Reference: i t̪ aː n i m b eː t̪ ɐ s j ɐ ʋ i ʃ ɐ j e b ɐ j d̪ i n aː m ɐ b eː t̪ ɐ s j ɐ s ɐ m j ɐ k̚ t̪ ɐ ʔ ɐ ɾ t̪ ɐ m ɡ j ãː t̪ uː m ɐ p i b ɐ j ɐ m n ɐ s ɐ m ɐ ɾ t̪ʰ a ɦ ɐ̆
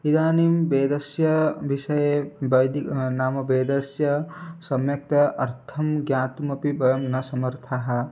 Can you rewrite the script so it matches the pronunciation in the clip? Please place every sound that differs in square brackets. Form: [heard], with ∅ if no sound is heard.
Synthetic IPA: i [d̪] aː n i m b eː [d̪] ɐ s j ɐ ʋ i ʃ ɐ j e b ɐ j d̪ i n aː m ɐ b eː [d̪] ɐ s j ɐ s ɐ m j ɐ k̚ t̪ ɐ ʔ ɐ ɾ [t̪ʰ] ɐ m ɡ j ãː t̪ [u] m ɐ p i b ɐ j ɐ m n ɐ s ɐ m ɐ ɾ t̪ʰ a ɦ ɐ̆

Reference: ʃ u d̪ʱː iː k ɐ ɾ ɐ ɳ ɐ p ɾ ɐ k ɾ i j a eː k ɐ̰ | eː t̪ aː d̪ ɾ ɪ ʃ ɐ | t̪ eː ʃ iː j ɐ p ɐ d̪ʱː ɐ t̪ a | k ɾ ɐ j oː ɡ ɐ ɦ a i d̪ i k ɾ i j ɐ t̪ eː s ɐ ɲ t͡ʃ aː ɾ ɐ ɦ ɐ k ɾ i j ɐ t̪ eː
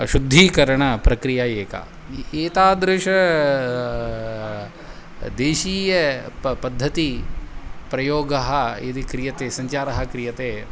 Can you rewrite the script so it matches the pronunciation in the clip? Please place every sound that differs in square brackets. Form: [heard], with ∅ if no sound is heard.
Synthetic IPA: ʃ u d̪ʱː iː k ɐ ɾ ɐ ɳ ɐ p ɾ ɐ k ɾ i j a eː k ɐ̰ | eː t̪ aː d̪ ɾ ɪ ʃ ɐ | [d̪] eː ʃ iː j ɐ p ɐ d̪ʱː ɐ t̪ [i] | [p] ɾ ɐ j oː ɡ ɐ ɦ [ɐ] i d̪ i k ɾ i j ɐ t̪ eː s ɐ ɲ t͡ʃ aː ɾ ɐ ɦ ɐ k ɾ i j ɐ t̪ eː

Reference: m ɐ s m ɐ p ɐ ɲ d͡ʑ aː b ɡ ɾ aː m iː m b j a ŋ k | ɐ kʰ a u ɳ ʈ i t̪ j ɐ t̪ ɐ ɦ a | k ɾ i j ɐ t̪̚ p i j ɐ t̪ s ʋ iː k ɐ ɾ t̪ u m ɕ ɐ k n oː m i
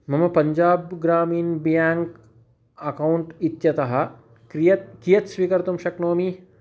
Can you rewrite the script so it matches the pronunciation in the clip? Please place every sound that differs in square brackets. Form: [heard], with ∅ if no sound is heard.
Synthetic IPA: m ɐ [∅] m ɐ p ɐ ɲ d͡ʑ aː b ɡ ɾ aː m iː [n] b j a ŋ k | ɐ [k] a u ɳ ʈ i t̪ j ɐ t̪ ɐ ɦ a | k ɾ i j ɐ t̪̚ [k] i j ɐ t̪ s ʋ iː k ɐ ɾ t̪ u m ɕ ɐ k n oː m i

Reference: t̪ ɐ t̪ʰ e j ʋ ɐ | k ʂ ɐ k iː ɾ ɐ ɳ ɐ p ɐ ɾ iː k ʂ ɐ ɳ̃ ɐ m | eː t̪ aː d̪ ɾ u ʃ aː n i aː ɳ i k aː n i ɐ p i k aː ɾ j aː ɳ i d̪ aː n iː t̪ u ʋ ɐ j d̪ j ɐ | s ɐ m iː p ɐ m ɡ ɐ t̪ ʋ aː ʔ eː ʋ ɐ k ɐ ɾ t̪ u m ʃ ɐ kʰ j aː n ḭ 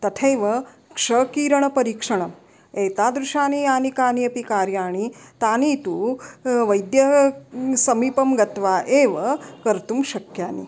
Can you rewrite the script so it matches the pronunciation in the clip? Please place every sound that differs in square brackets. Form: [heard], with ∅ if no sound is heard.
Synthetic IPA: t̪ ɐ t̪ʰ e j ʋ ɐ | k ʂ ɐ k iː ɾ ɐ ɳ ɐ p ɐ ɾ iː k ʂ ɐ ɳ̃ ɐ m | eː t̪ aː d̪ ɾ u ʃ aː n i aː [n] i k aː n i ɐ p i k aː ɾ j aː ɳ i [t̪] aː n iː t̪ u ʋ ɐ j d̪ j ɐ | s ɐ m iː p ɐ m ɡ ɐ t̪ ʋ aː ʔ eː ʋ ɐ k ɐ ɾ t̪ u m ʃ ɐ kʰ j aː n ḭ

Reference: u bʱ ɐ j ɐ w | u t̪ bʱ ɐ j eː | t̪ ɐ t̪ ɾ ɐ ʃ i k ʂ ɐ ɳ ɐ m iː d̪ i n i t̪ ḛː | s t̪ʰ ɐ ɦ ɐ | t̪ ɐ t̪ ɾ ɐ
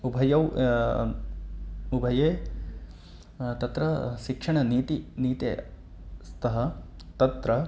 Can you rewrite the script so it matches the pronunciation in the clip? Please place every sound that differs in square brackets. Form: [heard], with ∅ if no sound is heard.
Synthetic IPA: u bʱ ɐ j ɐ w | u [∅] bʱ ɐ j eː | t̪ ɐ t̪ ɾ ɐ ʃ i k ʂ ɐ ɳ ɐ [n] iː [t̪] i n [iː] t̪ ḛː | s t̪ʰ ɐ ɦ ɐ | t̪ ɐ t̪ ɾ ɐ

